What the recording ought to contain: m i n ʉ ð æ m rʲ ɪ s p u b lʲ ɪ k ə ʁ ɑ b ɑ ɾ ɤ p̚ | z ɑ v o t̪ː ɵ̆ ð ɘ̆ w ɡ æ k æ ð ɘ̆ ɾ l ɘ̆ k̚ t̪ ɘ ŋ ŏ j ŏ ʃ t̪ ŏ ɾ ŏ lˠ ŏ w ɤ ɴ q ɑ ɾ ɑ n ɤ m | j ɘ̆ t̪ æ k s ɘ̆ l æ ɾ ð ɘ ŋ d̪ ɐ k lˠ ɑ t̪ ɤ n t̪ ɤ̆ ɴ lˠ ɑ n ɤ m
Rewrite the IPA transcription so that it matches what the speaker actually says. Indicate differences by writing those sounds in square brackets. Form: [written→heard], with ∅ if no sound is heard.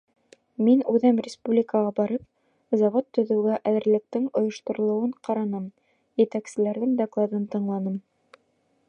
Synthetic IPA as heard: m i n ʉ ð æ m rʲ ɪ s p u b lʲ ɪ k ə ʁ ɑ b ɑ ɾ ɤ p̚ | z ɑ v o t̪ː ɵ̆ ð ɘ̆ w ɡ æ [k→ʔ] æ ð ɘ̆ ɾ l ɘ̆ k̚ t̪ ɘ ŋ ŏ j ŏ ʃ t̪ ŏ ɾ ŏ lˠ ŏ w ɤ ɴ q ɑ ɾ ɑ n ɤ m | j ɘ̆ t̪ æ k s ɘ̆ l æ ɾ ð ɘ ŋ d̪ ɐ k lˠ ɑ [t̪→d̪] ɤ n t̪ ɤ̆ ɴ lˠ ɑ n ɤ m